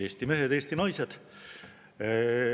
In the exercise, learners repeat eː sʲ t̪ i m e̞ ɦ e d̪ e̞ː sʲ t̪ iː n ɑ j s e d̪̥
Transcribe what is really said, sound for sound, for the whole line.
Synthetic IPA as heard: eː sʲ t̪ i m e̞ ɦ e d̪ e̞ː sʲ t̪ i n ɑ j s e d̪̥